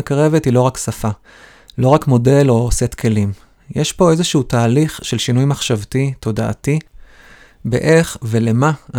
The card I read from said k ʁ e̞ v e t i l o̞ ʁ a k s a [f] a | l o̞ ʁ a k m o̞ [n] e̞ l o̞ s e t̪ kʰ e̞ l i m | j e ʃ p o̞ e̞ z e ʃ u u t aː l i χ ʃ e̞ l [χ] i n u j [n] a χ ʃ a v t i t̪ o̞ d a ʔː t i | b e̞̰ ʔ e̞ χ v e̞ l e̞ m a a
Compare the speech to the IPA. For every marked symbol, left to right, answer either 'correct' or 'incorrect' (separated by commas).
correct, incorrect, incorrect, incorrect